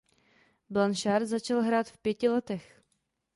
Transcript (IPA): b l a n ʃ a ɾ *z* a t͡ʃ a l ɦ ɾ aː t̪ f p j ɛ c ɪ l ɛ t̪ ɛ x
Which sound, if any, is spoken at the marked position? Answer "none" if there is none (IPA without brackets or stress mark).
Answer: z